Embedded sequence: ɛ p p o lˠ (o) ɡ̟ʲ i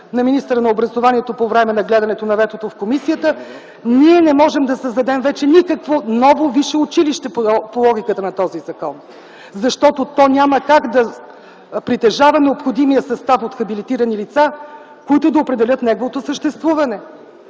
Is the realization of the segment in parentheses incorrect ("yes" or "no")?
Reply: yes